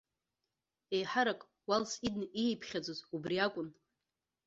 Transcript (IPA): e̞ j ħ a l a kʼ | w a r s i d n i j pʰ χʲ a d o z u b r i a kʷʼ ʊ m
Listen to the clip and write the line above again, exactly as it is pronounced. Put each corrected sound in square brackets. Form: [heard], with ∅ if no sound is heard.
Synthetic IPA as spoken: e̞ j ħ a [ɾ] a kʼ | w a [l] s i d n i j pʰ χʲ a [d͡z] o z u b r i a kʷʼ ʊ [n]